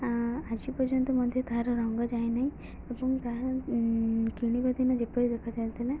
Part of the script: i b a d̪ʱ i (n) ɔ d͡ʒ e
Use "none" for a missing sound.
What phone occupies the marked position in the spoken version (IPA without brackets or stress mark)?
n